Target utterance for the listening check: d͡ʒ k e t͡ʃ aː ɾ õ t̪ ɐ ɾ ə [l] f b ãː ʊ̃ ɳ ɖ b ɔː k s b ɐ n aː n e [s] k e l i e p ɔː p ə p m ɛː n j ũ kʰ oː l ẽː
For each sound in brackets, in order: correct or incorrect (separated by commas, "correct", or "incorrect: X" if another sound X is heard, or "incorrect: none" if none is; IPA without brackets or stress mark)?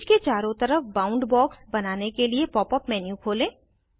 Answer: incorrect: none, incorrect: none